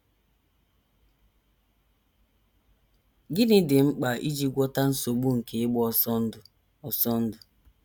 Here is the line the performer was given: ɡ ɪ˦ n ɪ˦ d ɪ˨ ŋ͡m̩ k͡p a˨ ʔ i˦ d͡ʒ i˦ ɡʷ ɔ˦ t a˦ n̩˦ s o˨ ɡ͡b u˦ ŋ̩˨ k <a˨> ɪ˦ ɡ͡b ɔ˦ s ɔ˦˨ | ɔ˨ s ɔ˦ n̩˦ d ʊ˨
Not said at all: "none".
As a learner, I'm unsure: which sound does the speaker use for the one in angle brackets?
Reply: e˨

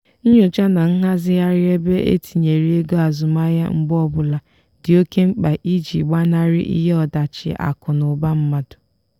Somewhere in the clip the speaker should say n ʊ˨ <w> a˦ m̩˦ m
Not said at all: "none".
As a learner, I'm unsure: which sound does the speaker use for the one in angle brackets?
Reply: b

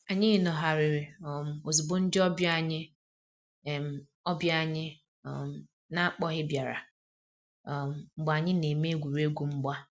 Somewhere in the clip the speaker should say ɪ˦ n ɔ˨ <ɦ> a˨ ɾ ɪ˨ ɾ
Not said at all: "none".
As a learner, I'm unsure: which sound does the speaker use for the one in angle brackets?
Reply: ɦ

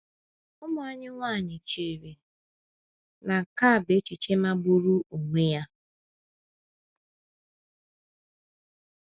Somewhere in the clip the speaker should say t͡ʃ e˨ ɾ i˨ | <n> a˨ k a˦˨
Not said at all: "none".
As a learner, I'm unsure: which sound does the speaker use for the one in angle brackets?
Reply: n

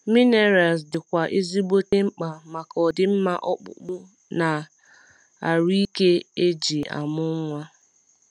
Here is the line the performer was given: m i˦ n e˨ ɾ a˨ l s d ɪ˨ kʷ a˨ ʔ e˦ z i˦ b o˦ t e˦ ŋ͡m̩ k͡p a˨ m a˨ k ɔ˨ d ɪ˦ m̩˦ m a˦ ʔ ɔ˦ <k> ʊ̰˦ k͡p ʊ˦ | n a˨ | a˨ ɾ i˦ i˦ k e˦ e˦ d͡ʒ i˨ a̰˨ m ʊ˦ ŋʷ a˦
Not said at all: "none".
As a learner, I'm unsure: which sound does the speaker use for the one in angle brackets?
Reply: k͡p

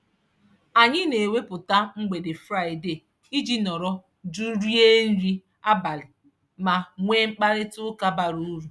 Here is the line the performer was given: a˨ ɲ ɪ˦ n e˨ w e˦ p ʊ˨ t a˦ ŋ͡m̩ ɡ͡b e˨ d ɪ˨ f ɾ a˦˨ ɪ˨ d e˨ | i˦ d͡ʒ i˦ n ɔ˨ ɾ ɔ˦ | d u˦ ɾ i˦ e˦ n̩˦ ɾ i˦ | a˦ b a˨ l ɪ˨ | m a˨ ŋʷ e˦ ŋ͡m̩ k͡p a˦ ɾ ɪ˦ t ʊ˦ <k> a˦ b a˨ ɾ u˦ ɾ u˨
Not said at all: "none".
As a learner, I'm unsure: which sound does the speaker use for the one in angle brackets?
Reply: k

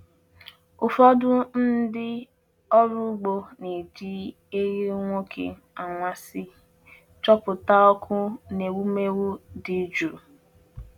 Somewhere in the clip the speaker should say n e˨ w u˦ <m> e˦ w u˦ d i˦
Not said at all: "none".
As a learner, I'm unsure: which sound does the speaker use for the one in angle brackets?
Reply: m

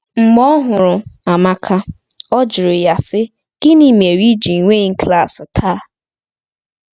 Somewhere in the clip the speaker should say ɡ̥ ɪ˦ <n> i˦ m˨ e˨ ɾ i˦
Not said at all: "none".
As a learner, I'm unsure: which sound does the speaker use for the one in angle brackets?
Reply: n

